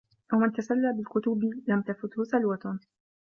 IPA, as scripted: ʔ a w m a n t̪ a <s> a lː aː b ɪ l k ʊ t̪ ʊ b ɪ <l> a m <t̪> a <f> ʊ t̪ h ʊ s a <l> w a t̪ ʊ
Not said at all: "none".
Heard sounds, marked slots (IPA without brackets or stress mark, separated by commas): s, l, t̪, f, l